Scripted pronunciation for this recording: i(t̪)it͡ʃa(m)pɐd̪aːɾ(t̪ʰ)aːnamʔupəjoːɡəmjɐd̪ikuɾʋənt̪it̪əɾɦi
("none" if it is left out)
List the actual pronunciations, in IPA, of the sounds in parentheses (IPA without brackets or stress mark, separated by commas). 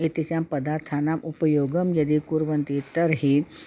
t̪, m, t̪ʰ